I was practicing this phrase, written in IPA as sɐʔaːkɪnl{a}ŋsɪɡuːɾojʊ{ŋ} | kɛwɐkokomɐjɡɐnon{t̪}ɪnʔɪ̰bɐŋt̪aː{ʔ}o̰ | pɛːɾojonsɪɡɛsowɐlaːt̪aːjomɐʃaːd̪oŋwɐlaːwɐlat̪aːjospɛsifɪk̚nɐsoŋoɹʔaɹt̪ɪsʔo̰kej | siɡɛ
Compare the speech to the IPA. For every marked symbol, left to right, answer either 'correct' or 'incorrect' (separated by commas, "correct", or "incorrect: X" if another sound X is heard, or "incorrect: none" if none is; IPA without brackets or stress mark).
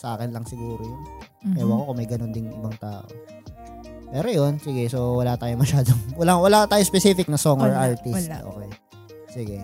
incorrect: ɐ, incorrect: n, incorrect: d̪, correct